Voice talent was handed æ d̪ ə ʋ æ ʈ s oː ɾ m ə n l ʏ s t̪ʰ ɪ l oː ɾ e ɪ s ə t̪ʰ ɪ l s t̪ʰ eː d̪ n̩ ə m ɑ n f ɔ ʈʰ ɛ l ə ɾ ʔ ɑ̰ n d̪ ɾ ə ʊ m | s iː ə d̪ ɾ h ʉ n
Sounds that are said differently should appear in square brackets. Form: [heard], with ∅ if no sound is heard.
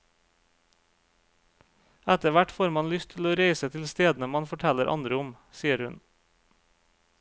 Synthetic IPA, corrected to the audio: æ [t̪] ə ʋ æ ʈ [f] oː ɾ m [ɑ] n l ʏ s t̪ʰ ɪ l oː ɾ e ɪ s ə t̪ʰ ɪ l s [t̪] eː d̪ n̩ ə m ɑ n f ɔ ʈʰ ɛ l ə ɾ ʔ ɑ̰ n d̪ ɾ ə ʊ m | s iː ə [∅] ɾ h ʉ n

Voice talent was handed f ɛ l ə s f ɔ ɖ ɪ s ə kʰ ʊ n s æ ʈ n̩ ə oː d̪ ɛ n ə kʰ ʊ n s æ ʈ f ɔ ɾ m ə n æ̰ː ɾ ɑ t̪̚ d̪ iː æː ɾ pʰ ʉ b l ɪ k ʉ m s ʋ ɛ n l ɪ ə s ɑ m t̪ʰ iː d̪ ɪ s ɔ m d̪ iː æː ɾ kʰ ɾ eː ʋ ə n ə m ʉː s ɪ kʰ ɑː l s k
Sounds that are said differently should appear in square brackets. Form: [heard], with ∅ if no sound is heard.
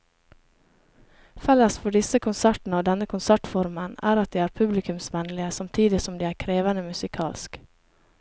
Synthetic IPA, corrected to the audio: f ɛ l ə s f ɔ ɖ ɪ s ə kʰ ʊ n s æ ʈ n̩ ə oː d̪ ɛ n ə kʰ ʊ n s æ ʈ f ɔ ɾ m ə n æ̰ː ɾ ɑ t̪̚ d̪ iː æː ɾ pʰ ʉ b l ɪ k ʉ m s ʋ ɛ n l ɪ ə s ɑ m t̪ʰ iː d̪ ɪ s ɔ m d̪ iː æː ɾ kʰ ɾ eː ʋ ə n ə m [ʉ] s ɪ kʰ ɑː l s k

